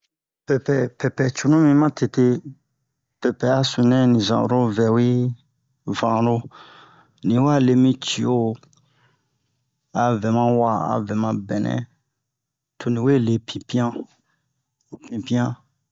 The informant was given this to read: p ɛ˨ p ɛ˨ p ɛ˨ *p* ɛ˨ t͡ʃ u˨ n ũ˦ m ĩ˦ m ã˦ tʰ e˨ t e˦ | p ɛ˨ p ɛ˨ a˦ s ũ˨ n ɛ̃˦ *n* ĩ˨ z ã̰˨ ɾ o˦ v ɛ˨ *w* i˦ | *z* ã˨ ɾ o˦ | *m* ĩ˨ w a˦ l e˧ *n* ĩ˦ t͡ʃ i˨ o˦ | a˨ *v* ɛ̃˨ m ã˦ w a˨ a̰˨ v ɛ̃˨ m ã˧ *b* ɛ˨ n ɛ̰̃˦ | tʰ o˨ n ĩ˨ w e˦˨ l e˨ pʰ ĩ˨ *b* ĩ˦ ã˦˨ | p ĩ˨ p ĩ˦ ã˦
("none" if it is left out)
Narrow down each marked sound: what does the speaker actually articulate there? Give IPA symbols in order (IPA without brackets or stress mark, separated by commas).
p, n, w, v, n, m, v, b, p